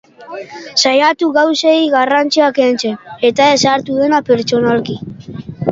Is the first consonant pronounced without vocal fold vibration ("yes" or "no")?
yes